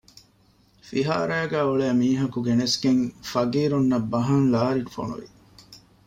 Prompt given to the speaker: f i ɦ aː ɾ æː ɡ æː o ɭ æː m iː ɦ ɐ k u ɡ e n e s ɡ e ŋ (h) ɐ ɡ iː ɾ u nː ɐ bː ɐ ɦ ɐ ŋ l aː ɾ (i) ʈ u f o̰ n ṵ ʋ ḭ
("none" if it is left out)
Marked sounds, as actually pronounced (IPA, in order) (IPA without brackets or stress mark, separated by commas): f, i